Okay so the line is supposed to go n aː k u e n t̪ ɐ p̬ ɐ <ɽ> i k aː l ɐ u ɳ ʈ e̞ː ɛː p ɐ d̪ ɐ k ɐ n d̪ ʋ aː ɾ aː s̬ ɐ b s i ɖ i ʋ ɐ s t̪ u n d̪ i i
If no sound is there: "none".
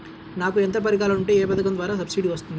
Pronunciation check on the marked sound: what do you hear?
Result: ɾ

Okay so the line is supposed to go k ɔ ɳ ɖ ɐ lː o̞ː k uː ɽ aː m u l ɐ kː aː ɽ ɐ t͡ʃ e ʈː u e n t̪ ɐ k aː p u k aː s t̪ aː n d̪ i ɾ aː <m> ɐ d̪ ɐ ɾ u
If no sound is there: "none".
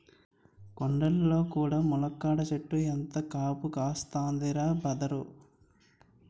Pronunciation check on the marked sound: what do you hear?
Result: b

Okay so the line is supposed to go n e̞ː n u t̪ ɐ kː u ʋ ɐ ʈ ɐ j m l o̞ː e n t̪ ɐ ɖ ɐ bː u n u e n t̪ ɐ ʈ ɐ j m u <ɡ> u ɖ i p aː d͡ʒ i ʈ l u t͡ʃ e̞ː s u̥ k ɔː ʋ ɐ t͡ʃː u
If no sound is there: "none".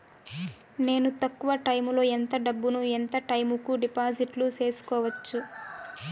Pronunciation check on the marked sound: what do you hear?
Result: k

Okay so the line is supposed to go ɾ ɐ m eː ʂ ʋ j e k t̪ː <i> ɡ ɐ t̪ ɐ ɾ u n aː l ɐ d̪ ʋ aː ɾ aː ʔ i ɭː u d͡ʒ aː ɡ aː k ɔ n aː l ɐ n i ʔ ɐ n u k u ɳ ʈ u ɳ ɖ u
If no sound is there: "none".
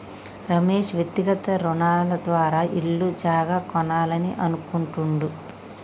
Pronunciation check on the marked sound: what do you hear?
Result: i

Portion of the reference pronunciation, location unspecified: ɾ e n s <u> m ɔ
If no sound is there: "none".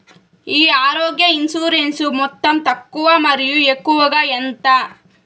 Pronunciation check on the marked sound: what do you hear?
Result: u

